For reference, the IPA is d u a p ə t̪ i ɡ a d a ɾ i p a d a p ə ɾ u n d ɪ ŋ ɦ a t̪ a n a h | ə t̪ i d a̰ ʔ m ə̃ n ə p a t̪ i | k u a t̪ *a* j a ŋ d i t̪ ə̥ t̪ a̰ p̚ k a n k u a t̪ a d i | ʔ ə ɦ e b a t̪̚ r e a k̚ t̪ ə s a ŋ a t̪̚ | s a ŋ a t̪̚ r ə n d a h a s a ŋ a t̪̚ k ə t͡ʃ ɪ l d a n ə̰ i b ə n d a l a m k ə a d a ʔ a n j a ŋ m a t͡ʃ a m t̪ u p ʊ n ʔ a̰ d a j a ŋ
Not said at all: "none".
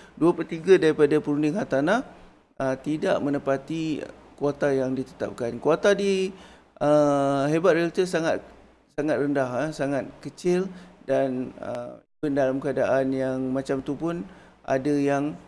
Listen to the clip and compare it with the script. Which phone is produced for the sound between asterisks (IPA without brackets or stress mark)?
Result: a